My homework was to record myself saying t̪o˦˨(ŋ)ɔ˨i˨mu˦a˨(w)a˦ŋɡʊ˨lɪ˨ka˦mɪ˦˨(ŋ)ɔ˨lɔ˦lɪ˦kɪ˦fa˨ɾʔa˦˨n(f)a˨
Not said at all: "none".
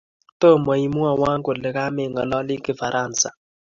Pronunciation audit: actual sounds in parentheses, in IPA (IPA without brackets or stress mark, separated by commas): m, w, ŋ, s